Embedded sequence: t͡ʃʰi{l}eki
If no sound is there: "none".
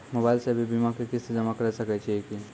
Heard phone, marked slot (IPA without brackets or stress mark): none